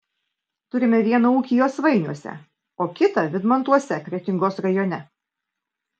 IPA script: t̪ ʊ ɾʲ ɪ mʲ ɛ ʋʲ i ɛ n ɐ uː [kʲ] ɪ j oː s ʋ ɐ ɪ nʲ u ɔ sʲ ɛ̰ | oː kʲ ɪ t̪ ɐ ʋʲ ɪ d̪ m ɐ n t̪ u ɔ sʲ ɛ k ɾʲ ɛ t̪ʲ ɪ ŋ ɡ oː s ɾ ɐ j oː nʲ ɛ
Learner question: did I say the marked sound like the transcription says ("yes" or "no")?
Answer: yes